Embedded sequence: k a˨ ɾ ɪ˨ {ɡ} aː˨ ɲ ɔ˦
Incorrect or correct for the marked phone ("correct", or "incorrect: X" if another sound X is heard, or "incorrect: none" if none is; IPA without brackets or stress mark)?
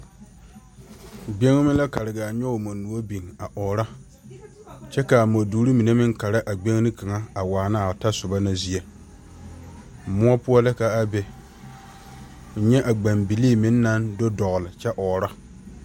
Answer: correct